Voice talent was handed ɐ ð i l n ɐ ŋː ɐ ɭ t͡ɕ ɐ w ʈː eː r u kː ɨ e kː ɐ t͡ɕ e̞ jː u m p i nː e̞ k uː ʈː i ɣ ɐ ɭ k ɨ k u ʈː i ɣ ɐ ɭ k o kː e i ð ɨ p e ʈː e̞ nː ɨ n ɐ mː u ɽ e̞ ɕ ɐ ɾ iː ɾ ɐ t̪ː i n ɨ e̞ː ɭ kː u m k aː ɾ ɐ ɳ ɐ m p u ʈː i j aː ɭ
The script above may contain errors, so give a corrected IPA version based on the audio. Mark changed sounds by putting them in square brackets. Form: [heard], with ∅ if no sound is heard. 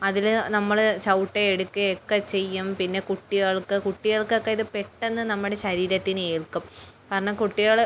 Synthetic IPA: ɐ ð i l n ɐ [mː] ɐ ɭ t͡ɕ ɐ w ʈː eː [ɽ] u kː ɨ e kː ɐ t͡ɕ e̞ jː u m p i nː e̞ k [u] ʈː i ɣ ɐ ɭ k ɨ k u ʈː i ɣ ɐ ɭ k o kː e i ð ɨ p e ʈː e̞ nː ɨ n ɐ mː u ɽ e̞ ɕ ɐ ɾ iː ɾ ɐ t̪ː i n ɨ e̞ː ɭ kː u m k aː ɾ ɐ ɳ ɐ m [k] u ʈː i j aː ɭ